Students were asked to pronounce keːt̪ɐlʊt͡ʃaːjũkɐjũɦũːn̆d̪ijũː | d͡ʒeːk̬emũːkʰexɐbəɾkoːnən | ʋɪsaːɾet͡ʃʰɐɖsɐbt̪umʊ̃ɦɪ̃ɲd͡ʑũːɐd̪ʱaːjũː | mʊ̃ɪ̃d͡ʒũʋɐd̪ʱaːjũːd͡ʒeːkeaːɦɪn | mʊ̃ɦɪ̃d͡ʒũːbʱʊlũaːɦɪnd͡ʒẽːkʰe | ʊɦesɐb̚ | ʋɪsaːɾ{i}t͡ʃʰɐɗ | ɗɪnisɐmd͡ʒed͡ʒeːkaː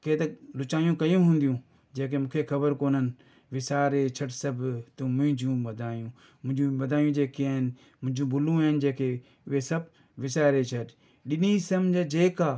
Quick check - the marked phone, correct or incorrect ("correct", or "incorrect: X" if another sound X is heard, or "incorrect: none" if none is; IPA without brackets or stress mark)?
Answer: incorrect: e